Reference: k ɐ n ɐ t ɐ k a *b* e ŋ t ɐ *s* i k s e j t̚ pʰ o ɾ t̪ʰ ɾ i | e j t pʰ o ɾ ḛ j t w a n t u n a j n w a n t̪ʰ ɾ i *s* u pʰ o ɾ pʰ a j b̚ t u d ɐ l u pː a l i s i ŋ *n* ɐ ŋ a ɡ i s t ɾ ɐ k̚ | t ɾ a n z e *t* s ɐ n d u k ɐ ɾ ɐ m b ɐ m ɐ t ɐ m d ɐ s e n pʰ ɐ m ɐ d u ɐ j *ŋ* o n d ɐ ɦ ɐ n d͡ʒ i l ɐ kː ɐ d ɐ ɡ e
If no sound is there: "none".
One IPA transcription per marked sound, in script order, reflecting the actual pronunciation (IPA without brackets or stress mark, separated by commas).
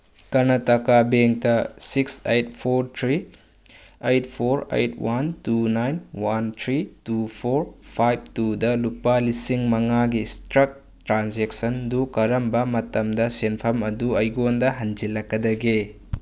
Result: b, s, t, m, k, ɡ